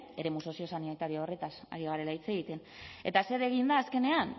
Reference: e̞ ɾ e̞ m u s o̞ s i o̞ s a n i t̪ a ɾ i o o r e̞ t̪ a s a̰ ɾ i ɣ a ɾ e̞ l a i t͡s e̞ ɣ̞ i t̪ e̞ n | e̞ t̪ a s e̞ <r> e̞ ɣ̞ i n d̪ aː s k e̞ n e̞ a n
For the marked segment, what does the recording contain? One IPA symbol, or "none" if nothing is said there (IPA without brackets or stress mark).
ɾ